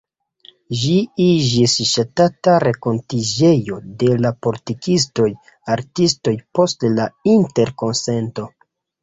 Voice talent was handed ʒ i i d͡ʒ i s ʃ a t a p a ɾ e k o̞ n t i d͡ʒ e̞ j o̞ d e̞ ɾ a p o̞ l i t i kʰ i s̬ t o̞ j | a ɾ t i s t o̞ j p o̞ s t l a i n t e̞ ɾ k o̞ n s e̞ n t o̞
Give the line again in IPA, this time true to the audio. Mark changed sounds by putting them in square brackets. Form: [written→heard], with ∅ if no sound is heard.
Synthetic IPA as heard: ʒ i i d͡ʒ i s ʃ a t a [p→t] a ɾ e k o̞ n t i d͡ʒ e̞ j o̞ d e̞ [ɾ→l] a p o̞ l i t i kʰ i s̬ t o̞ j | a ɾ t i s t o̞ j p o̞ s t l a i n t e̞ ɾ k o̞ n s e̞ n t o̞